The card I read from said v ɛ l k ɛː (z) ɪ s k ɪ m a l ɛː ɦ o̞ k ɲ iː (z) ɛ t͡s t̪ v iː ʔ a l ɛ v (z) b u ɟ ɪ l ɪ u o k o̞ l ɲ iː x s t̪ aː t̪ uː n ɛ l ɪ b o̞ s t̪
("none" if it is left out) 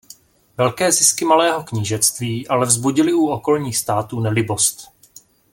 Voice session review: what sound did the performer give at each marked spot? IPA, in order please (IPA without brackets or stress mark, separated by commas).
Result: z, ʒ, z